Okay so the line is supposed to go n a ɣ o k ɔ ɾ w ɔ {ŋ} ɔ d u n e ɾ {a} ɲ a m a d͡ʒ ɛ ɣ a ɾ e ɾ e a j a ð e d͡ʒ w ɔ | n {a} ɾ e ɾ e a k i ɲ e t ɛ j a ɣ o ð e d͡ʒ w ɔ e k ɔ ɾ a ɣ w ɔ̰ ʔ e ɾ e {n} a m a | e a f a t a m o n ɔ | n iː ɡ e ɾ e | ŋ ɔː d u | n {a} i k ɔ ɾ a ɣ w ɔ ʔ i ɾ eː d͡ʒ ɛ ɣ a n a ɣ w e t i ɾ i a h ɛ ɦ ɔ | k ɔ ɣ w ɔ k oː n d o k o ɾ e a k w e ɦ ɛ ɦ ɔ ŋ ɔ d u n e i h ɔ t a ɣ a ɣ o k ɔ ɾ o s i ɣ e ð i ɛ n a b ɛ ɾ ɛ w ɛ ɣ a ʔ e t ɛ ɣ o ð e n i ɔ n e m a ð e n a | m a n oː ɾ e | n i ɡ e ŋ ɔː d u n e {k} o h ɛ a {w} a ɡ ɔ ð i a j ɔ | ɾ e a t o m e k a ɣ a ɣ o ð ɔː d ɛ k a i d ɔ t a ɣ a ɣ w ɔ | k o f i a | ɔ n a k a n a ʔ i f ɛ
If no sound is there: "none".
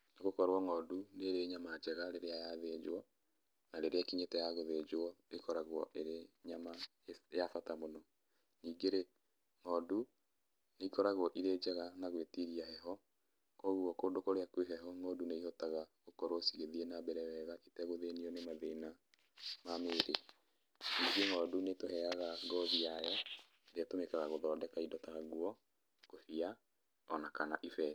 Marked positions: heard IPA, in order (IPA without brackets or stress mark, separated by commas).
ŋ, e, a, ɲ, e, t, ɣ